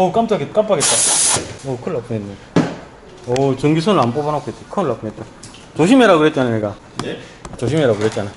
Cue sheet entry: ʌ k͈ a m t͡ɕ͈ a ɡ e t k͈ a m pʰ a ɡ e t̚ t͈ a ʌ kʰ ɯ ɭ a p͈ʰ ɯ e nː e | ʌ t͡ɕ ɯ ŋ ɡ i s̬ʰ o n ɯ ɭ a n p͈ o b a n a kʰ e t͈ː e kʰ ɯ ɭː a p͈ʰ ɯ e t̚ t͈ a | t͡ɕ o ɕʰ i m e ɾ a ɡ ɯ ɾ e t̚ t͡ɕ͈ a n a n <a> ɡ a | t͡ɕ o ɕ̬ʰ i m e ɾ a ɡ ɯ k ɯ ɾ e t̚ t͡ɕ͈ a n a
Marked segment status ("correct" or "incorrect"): incorrect